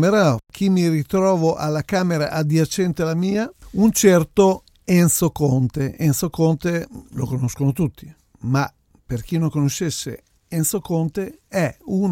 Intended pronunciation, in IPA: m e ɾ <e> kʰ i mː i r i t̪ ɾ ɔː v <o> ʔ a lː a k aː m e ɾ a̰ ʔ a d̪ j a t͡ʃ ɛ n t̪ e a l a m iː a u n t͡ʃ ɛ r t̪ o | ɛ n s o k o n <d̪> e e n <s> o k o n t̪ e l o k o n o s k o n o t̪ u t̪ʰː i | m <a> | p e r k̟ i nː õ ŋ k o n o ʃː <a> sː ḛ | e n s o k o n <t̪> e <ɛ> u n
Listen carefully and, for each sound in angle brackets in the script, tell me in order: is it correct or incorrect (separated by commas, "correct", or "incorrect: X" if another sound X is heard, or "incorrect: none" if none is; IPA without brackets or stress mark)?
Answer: incorrect: a, correct, incorrect: t̪, correct, correct, incorrect: e, correct, correct